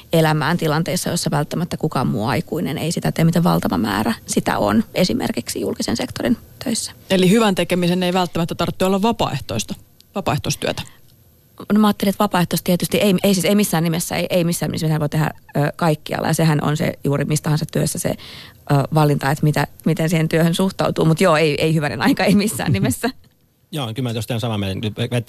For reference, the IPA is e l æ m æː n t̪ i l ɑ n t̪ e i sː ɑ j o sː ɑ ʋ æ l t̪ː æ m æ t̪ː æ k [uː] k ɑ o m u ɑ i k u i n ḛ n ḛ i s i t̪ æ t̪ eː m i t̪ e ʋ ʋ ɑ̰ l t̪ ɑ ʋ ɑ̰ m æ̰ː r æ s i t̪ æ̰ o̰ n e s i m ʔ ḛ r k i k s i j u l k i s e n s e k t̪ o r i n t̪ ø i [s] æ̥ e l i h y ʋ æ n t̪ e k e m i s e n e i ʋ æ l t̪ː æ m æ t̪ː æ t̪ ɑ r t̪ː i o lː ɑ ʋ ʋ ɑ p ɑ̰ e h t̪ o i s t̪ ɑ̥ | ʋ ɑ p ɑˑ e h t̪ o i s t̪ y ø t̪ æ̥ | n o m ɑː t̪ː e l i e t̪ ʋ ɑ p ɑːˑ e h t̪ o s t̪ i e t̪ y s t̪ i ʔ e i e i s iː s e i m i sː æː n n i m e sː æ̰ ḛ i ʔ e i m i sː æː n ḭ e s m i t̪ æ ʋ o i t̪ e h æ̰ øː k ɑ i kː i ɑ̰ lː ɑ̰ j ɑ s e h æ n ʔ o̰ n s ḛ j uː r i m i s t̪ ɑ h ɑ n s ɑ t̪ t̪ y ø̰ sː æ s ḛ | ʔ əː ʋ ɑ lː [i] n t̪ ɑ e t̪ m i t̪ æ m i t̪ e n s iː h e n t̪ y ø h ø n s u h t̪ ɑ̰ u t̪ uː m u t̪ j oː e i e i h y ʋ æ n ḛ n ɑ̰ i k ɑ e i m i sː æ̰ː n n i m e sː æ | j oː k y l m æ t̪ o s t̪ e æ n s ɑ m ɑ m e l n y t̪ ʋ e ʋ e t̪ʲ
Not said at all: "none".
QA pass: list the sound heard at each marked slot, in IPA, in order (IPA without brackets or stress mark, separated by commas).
u, sː, i